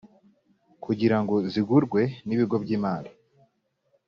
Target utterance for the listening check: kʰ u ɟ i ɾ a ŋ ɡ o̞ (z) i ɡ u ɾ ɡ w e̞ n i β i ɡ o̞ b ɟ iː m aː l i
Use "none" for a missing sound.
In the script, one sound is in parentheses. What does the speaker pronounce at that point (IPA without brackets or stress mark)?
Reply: z